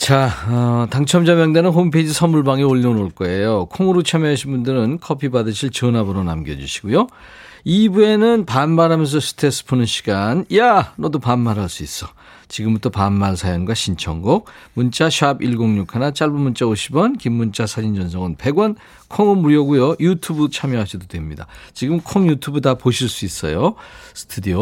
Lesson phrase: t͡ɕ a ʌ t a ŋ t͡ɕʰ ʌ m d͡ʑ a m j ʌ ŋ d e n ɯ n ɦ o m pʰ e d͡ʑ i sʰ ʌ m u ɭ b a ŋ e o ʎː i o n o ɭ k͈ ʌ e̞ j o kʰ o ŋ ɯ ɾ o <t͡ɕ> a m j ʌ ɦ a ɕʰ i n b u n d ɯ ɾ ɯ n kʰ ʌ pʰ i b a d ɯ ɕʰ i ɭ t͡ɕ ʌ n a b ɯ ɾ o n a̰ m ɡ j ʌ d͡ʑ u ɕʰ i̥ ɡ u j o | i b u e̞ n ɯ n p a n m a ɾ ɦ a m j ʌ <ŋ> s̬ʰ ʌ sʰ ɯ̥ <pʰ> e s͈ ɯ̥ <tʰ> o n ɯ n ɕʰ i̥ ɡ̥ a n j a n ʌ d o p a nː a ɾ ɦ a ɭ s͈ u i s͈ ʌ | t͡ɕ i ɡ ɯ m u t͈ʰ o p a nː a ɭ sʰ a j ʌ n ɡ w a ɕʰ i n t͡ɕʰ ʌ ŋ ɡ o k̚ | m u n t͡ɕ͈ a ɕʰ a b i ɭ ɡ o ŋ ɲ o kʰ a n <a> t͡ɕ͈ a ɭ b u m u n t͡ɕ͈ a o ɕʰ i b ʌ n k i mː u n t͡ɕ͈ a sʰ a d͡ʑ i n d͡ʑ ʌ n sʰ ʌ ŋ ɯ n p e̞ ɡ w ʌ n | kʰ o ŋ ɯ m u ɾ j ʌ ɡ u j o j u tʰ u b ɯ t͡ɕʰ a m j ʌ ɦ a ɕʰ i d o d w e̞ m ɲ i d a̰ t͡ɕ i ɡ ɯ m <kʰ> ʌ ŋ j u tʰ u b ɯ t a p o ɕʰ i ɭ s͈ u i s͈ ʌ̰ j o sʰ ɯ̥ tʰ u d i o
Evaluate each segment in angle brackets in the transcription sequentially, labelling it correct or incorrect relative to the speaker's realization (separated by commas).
incorrect, incorrect, incorrect, incorrect, correct, correct